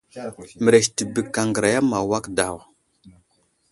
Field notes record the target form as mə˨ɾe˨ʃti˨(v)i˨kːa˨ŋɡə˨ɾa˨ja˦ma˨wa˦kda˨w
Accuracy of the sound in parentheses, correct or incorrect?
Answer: incorrect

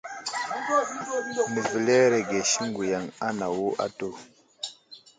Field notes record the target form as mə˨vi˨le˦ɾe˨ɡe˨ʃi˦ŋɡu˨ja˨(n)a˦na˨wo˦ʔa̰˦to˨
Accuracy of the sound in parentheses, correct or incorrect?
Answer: incorrect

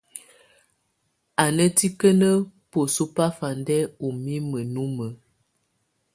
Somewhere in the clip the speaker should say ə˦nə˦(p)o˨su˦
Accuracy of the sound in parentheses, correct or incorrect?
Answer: correct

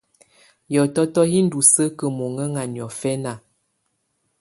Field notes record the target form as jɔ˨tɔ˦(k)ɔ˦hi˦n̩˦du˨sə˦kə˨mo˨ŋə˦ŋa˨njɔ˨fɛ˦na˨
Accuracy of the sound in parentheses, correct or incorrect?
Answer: incorrect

